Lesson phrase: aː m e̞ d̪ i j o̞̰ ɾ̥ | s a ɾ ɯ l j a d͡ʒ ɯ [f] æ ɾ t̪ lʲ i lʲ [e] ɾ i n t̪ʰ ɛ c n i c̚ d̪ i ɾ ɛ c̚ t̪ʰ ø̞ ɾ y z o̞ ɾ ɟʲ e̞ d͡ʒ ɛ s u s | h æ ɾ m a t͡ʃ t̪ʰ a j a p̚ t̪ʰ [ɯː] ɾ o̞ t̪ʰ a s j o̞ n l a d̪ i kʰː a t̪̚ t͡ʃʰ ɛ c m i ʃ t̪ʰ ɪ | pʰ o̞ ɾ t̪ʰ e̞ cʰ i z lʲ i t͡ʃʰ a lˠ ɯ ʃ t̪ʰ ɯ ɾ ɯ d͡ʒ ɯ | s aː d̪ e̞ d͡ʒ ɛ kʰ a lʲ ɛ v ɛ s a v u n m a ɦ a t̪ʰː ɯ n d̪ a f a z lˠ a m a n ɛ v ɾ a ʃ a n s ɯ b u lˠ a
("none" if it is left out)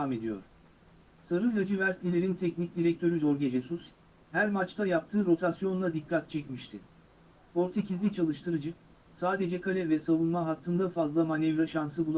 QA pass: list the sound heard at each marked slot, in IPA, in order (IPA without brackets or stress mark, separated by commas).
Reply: v, e, ɯː